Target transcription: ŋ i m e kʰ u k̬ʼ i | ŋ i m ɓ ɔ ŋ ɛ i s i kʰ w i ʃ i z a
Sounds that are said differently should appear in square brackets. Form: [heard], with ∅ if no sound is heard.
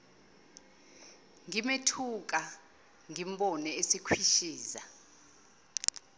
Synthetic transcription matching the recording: ŋ i m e [tʰ] u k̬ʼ [a] | ŋ i m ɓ ɔ [n] ɛ [e] s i kʰ w i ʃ [iː] z a